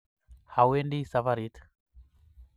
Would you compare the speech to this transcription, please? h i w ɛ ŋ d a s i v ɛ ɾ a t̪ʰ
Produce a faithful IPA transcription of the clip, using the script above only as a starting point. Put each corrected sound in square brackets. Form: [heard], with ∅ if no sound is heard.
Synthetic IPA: h [a] w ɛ [n] d [i] s [a] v [a] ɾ [i] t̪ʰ

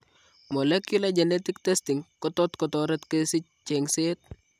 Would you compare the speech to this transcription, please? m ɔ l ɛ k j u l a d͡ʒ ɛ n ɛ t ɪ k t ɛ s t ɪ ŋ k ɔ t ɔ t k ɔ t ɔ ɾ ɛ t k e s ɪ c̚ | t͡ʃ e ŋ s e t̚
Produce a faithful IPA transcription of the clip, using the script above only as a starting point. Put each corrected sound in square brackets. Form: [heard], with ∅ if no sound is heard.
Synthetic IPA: m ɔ l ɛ k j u l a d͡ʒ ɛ n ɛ t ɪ k t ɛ s t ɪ ŋ k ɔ t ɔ t k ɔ t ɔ ɾ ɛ t k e s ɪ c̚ | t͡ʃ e ŋ s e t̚

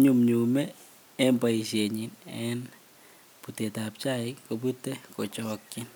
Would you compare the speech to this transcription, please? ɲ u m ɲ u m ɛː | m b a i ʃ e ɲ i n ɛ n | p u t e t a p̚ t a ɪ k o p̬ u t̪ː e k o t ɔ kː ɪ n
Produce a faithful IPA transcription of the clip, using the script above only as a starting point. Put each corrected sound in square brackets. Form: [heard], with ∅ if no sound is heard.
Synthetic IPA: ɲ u m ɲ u m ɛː | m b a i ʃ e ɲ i n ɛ n | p u t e t a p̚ [t͡ʃ] a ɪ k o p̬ u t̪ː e k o [t͡ʃ] ɔ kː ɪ n

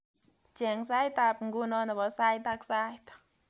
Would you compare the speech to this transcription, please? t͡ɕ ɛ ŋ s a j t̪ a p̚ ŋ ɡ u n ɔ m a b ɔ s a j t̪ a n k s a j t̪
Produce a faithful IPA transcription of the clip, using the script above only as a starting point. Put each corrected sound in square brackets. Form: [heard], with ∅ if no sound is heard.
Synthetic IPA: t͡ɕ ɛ ŋ s a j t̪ a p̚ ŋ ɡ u n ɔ [n] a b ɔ s a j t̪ a [∅] k s a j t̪

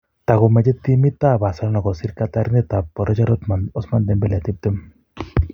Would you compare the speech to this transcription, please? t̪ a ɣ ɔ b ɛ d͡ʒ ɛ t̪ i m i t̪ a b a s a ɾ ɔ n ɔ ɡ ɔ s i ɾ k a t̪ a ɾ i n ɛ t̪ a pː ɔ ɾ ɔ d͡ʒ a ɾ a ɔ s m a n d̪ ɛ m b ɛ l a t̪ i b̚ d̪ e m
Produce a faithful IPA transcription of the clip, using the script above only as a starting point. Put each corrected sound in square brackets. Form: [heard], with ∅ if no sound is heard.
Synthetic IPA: t̪ a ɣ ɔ [m] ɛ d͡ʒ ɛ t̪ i m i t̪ a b a s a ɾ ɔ n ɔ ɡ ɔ s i ɾ k a t̪ a ɾ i n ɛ t̪ a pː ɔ ɾ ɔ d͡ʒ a ɾ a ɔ s m a n d̪ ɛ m b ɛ l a t̪ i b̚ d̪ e m

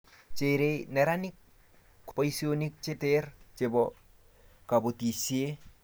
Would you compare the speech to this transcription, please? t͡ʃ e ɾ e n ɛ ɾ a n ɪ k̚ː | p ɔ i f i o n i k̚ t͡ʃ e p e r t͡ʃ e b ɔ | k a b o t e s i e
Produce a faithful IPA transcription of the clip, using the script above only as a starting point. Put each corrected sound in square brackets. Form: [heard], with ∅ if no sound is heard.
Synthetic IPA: t͡ʃ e ɾ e n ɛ ɾ a n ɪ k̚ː | p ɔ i [s] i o n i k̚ t͡ʃ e [t] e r t͡ʃ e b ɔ | k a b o t [i] s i e

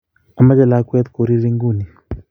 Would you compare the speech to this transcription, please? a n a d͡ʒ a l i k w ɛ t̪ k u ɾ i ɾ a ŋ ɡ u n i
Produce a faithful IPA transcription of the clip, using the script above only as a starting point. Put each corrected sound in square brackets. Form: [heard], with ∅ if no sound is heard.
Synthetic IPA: a [m] a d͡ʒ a l [a] k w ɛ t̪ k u ɾ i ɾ [i] ŋ ɡ u n i

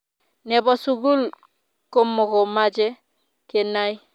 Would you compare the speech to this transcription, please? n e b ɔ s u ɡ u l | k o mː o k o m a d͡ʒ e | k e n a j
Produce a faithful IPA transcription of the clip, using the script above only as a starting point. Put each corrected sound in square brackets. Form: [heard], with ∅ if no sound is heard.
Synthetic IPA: n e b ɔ s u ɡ u l | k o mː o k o m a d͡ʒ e | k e n a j

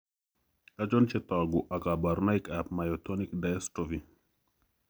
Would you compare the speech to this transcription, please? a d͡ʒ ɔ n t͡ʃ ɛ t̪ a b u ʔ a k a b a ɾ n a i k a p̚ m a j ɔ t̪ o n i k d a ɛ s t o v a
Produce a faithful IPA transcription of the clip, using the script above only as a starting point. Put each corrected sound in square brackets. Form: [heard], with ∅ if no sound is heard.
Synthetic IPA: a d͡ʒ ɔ n t͡ʃ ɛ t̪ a [ɡ] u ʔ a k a b a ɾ n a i k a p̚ m a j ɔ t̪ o n i k d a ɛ s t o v [i]

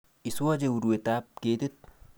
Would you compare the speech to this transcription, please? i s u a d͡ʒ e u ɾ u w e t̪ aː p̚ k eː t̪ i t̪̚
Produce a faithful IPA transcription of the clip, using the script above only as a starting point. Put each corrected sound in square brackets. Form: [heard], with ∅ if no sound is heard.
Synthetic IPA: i s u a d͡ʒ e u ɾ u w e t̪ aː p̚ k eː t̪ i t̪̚

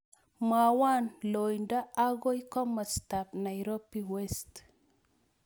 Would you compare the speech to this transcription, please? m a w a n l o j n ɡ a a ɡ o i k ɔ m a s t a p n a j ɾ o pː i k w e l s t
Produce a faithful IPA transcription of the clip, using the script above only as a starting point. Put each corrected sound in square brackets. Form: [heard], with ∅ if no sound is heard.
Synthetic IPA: m a w a n l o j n [d] a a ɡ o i k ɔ m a s t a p n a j ɾ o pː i [∅] w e [∅] s t

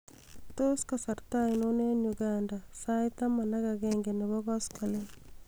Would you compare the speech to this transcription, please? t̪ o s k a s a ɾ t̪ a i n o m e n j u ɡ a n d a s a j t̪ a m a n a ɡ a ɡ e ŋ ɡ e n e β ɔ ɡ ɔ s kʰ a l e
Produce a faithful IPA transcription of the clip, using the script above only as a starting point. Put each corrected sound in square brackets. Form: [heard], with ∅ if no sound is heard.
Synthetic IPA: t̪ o s k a s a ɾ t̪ a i n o [n] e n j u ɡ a n d a s a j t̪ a m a n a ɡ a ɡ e ŋ ɡ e n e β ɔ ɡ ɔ s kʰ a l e

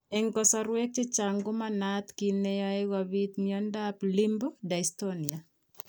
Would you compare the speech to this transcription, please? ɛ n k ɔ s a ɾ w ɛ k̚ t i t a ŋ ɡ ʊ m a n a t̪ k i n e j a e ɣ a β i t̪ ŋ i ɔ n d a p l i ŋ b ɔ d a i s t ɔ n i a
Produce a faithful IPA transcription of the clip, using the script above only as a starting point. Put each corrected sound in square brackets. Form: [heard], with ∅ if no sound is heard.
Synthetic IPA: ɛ [ŋ] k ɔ s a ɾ w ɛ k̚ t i [t͡ʃ] a ŋ ɡ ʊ m a n a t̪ k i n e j a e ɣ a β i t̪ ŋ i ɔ n d a p l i [m] b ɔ d a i s t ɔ n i a

